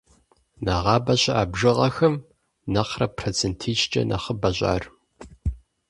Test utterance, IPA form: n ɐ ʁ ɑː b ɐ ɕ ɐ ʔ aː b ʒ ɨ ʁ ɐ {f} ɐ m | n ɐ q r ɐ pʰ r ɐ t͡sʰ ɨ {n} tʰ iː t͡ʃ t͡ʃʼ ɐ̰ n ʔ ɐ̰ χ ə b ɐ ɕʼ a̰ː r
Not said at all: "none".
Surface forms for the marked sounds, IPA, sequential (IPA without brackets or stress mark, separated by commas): x, n